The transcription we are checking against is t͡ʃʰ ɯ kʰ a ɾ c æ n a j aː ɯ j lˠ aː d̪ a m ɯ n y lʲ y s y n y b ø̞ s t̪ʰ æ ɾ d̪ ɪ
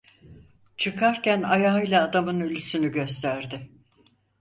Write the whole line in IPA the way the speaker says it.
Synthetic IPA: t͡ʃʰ ɯ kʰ a ɾ c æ n a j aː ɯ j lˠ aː d̪ a m ɯ n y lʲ y s y n y ɟ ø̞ s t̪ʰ æ ɾ d̪ ɪ